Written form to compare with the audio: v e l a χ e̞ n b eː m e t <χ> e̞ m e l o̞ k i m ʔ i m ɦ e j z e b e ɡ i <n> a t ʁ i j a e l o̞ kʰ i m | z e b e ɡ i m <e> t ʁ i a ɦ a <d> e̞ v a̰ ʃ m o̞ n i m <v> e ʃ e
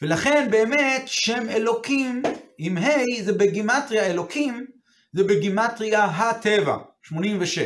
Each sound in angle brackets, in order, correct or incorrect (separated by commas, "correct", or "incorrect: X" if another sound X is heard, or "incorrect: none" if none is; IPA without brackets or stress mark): incorrect: ʃ, incorrect: m, incorrect: a, incorrect: t, correct